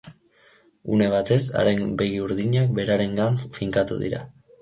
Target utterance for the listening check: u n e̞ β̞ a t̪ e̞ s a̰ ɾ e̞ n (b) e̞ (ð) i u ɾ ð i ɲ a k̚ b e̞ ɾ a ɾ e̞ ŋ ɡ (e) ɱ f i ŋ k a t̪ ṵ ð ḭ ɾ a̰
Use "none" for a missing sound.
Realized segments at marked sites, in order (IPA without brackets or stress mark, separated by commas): b, ɣ, a